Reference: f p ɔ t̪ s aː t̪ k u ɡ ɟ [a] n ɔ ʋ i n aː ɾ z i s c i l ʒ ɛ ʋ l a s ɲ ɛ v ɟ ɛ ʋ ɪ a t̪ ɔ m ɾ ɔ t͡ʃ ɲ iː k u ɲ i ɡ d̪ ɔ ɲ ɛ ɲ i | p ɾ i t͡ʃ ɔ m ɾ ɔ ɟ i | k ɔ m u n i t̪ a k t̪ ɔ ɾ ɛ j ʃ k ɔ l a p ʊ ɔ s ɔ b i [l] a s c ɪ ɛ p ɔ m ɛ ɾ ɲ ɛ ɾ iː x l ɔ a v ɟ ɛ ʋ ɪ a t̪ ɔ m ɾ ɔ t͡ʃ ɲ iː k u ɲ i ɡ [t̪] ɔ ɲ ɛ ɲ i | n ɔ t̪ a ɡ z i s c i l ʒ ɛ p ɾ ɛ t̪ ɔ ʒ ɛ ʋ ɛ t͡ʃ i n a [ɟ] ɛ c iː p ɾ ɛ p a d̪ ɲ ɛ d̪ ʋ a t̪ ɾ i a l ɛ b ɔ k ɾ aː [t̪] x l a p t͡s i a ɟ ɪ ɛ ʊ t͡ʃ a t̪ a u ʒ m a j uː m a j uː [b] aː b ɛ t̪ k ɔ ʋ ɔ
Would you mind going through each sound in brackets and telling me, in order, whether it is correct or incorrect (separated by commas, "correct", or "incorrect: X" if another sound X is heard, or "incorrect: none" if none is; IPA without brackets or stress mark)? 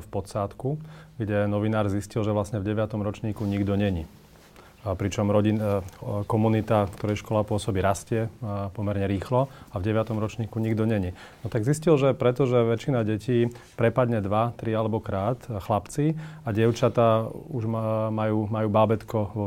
incorrect: ɛ, incorrect: ɾ, incorrect: d̪, correct, correct, correct